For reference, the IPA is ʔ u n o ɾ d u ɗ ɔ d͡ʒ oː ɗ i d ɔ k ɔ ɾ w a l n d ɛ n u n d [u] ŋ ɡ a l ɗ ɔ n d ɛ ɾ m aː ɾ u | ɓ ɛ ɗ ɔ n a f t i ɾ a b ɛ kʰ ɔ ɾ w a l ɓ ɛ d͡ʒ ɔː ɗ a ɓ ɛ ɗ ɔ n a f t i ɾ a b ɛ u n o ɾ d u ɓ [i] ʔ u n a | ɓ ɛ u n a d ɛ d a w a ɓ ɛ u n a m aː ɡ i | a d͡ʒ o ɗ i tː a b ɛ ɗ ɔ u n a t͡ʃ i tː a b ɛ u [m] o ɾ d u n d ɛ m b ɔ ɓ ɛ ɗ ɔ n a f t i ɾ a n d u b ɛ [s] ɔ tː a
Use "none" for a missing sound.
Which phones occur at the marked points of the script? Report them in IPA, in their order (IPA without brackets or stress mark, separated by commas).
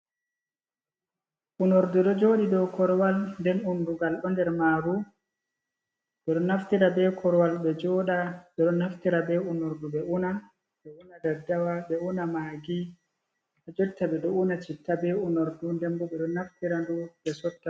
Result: u, ɛ, n, s